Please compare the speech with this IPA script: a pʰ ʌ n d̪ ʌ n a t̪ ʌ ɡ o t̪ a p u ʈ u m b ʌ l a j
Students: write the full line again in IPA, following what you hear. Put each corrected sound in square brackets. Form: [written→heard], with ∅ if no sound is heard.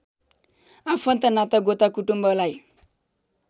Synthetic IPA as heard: a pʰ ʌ n [d̪→t̪] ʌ n a t̪ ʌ ɡ o t̪ a [p→k] u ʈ u m b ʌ l a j